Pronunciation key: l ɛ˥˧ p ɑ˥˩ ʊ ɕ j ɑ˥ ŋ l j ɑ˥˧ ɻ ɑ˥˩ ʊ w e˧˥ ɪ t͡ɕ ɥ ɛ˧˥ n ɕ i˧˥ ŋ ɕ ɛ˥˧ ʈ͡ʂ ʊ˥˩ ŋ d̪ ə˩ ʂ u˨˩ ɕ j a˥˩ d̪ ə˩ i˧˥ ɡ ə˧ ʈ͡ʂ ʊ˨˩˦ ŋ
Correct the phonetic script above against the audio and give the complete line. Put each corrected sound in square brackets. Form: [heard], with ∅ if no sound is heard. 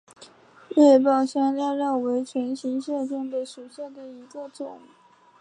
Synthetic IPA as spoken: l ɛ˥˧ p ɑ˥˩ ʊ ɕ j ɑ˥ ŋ l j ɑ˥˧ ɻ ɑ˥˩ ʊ w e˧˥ ɪ [t͡ɕʰ] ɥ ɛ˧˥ n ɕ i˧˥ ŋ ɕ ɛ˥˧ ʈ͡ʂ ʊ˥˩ ŋ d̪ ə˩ ʂ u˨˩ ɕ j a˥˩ d̪ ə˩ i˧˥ ɡ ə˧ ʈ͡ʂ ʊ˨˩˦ ŋ